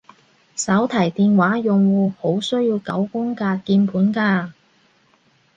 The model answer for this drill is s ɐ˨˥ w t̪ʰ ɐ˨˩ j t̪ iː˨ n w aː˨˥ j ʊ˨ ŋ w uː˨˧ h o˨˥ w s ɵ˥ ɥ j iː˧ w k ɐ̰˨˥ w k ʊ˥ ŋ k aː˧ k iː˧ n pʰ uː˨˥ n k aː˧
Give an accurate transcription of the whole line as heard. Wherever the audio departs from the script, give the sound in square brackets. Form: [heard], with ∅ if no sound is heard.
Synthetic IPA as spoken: s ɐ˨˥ w t̪ʰ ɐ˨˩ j t̪ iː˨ n w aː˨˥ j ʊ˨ ŋ w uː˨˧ h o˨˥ w s ɵ˥ ɥ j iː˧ w k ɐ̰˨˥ w k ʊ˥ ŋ k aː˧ k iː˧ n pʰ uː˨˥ n k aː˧